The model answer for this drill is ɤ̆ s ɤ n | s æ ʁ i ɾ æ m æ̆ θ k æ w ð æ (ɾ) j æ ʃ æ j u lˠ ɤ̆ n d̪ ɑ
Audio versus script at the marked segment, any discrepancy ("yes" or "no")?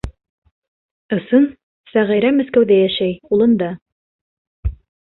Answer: yes